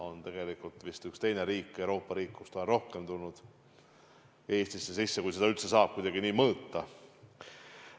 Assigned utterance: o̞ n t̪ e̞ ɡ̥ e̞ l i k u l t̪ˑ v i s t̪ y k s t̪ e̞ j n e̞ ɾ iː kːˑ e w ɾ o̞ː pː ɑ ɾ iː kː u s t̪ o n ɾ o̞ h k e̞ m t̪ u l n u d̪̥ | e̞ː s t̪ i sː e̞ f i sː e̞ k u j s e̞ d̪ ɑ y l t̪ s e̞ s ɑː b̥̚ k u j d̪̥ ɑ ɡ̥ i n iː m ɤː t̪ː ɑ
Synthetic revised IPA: o̞ n t̪ e̞ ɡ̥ e̞ l i k u l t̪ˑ v i s t̪ y k s t̪ e̞ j n e̞ ɾ iː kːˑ e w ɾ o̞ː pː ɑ ɾ iː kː u s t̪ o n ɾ o̞ h k e̞ m t̪ u l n u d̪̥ | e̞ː s t̪ i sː e̞ s i sː e̞ k u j s e̞ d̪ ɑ y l t̪ s e̞ s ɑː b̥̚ k u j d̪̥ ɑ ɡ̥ i n iː m ɤː t̪ː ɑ

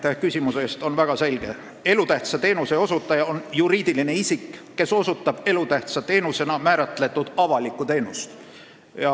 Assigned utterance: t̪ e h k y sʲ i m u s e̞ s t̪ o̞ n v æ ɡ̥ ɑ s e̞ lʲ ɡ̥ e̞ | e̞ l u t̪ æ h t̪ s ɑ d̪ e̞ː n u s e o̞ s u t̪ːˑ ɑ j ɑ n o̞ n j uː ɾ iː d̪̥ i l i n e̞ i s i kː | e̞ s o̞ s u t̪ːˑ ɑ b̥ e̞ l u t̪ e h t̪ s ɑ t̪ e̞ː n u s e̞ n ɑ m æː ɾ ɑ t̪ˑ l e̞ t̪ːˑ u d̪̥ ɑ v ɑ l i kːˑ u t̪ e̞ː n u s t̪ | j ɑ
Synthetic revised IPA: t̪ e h k y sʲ i m u s e̞ s t̪ o̞ n v æ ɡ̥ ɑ s e̞ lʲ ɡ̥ e̞ | e̞ l u t̪ æ h t̪ s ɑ t̪ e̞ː n u s e o̞ s u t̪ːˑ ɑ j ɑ o̞ n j u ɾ iː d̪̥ i l i n e̞ i s i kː | e̞ s o̞ s u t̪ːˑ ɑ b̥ e̞ l u t̪ æ h t̪ s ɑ t̪ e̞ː n u s e̞ n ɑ m æː ɾ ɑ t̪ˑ l e̞ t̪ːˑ u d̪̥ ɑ v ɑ l i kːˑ u t̪ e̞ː n u s t̪ | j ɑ

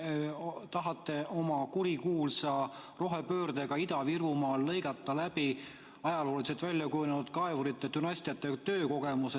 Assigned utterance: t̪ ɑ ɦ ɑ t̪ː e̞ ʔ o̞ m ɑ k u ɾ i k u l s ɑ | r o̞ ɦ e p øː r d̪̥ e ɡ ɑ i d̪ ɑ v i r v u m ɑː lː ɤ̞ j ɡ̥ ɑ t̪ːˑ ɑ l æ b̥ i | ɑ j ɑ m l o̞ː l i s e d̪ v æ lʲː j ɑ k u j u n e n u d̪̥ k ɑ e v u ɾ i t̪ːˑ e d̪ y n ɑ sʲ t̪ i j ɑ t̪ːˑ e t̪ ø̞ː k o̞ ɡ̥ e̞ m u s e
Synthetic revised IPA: t̪ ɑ ɦ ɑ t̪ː e̞ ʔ o̞ m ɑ k u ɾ i k uː l s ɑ | r o̞ ɦ e p øː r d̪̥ e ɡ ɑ i d̪ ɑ v i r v u m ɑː lː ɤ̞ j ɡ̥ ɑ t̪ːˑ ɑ l æ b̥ i | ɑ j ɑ l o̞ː l i s e t̪ v æ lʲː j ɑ k u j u n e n u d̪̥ k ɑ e v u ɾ i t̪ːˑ e t̪ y n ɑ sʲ t̪ i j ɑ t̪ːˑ e t̪ ø̞ː k o̞ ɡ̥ e̞ m u s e

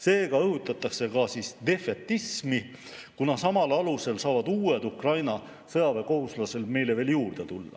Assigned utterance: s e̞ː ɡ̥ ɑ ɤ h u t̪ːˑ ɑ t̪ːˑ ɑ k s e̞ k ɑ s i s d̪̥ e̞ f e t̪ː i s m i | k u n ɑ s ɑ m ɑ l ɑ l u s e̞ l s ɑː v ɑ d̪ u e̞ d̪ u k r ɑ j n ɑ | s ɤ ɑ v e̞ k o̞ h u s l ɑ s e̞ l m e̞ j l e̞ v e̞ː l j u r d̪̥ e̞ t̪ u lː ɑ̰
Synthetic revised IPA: s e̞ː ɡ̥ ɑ ɤ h u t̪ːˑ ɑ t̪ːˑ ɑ k s e̞ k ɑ s i s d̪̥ e̞ f e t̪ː i s m i | k u n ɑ s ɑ m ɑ l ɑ l u s e̞ l s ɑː v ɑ d̪ uː e̞ d̪ u k r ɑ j n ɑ | s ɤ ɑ v e̞ k o̞ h u s l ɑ s e̞ l m e̞ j l e̞ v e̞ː l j uː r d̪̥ e̞ t̪ u lː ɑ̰

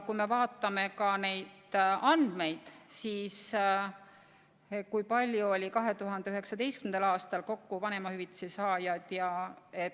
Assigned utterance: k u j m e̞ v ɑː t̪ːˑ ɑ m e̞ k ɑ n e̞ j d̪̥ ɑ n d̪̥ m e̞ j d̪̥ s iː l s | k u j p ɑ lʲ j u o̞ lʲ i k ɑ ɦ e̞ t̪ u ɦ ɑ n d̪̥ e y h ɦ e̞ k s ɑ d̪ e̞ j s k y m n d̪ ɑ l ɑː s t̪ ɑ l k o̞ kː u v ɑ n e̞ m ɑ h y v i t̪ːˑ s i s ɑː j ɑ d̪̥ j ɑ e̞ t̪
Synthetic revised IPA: k u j m e̞ v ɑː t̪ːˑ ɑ m e̞ k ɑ n e̞ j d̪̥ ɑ n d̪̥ m e̞ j d̪̥ s iː s | k u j p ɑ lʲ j u o̞ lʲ i k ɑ ɦ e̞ t̪ u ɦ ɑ n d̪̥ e y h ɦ e̞ k s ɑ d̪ e̞ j s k y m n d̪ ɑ l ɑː s t̪ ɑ l k o̞ kː u v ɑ n e̞ m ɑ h y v i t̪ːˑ s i s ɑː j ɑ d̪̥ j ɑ e̞ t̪

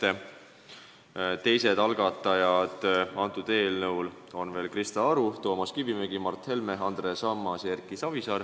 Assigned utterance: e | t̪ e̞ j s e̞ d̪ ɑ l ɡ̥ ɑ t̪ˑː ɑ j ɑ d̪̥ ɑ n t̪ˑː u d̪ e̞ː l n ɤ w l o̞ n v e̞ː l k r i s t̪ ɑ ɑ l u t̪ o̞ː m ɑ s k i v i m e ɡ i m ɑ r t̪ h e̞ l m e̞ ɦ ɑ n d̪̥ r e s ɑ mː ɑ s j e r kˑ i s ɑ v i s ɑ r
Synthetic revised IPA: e | t̪ e̞ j s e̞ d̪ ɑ l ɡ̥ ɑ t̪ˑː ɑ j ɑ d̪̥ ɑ n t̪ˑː u d̪ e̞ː l n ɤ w l o̞ n v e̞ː l k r i s t̪ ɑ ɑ ɾ u t̪ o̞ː m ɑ s k i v i m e ɡ i m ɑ r t̪ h e̞ l m e̞ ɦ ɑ n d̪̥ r e s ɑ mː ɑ s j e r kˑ i s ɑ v i s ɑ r

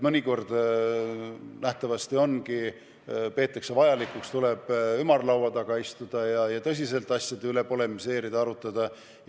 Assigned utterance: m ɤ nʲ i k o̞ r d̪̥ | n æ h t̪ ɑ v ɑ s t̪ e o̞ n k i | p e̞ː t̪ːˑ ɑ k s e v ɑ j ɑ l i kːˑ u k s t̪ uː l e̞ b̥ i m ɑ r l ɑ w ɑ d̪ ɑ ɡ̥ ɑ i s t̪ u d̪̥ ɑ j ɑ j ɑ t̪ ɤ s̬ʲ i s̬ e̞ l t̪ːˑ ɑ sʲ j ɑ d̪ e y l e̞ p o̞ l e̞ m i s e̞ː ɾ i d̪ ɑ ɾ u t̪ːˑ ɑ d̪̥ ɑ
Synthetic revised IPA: m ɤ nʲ i k o̞ r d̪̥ | n æ h t̪ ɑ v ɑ s t̪ i o̞ n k i | p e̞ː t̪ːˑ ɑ k s e v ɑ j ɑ l i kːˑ u k s t̪ u l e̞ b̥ y m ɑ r l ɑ w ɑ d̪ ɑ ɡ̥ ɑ i s t̪ u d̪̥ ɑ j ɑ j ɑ t̪ ɤ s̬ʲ i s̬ e̞ l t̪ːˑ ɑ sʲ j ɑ d̪ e y l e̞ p o̞ l e̞ m i s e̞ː ɾ i d̪ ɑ ɾ u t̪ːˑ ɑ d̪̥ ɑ

